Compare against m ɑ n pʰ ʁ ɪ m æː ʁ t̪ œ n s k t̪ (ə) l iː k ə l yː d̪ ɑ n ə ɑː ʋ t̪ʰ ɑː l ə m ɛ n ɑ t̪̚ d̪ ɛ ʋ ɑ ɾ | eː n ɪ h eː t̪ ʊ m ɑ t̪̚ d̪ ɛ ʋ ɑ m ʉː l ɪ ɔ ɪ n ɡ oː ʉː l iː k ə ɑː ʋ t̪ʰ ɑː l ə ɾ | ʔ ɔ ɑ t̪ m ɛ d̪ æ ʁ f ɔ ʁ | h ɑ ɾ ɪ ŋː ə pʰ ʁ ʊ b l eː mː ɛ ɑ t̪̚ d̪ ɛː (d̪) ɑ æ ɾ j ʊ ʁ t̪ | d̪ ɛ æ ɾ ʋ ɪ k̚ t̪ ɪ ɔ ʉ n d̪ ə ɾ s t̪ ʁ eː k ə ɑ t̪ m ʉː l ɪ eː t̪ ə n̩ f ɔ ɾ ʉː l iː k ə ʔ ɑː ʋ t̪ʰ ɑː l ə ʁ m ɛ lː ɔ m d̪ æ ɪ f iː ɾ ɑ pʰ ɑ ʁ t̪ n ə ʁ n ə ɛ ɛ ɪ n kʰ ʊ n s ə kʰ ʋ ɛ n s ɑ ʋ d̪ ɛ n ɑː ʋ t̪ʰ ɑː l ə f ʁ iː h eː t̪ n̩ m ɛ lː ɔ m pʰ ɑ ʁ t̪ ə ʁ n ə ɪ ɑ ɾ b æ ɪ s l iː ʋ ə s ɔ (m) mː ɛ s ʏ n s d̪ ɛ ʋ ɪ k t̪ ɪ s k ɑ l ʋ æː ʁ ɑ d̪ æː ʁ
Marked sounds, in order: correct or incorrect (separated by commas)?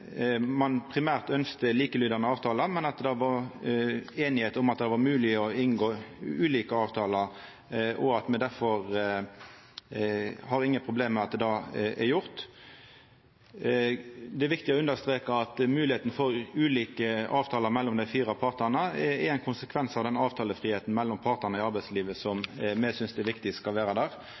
correct, correct, correct